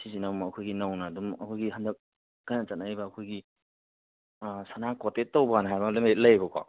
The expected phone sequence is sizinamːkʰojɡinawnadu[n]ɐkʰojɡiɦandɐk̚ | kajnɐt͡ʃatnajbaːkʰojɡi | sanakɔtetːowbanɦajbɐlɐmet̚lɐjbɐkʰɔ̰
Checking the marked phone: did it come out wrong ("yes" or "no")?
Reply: yes